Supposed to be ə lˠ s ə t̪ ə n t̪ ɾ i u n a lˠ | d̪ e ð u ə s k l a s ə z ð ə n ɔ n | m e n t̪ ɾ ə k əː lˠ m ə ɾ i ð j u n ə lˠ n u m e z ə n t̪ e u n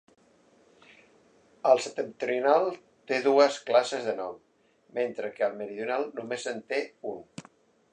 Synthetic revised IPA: ə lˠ s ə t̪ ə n t̪ ɾ i u n a lˠ | t̪ e ð u ə s k l a s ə z ð ə n ɔ m | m e n t̪ ɾ ə k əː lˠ m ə ɾ i ð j u n a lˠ n u m e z ə n t̪ e u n